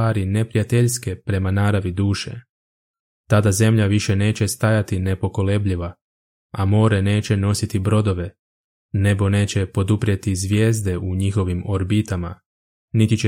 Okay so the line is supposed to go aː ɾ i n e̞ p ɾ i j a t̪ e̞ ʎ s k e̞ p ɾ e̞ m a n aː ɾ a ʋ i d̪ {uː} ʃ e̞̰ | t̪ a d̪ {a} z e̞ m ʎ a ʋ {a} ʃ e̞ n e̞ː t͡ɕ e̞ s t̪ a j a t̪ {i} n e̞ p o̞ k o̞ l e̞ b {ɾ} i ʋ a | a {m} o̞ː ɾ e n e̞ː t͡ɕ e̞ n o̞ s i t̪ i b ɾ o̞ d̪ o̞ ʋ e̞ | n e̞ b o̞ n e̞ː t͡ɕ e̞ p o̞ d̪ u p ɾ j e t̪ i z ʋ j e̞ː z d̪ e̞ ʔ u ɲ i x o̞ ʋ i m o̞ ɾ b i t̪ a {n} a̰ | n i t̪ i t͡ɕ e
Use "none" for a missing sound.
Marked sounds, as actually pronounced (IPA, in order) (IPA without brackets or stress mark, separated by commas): uː, a, i, i, ʎ, m, m